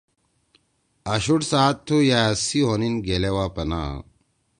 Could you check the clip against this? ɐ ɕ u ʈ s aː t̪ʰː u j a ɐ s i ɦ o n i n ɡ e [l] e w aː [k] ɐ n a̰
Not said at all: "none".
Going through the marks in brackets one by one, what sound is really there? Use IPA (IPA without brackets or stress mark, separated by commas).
l, p